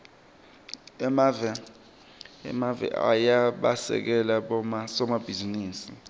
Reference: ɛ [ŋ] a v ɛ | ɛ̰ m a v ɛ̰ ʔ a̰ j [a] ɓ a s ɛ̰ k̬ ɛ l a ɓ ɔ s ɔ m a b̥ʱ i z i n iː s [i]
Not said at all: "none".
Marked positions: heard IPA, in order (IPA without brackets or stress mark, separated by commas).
m, a, i